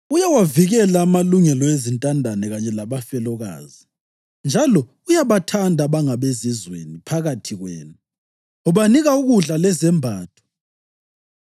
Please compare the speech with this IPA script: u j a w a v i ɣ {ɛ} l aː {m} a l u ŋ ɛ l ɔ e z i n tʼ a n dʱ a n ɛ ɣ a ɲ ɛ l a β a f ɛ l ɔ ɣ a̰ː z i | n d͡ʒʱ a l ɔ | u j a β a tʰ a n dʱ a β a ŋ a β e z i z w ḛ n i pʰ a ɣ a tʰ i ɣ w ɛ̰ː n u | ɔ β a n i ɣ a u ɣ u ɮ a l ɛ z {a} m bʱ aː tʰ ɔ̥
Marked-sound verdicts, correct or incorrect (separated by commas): correct, correct, incorrect